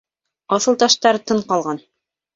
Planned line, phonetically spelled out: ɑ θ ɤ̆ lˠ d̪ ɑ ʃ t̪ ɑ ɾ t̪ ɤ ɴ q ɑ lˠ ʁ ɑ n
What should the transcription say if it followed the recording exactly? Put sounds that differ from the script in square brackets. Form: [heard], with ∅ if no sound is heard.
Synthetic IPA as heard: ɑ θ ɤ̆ lˠ [t̪] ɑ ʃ t̪ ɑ ɾ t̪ ɤ ɴ q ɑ lˠ ʁ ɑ n